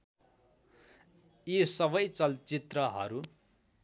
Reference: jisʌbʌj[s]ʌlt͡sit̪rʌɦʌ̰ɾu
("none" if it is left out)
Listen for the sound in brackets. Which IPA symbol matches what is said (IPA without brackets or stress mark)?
t͡s